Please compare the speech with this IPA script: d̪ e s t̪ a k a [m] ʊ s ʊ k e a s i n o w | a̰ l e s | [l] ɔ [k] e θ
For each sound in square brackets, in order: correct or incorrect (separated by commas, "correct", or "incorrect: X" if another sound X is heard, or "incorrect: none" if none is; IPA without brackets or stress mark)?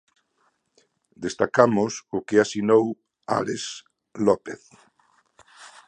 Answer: correct, correct, incorrect: p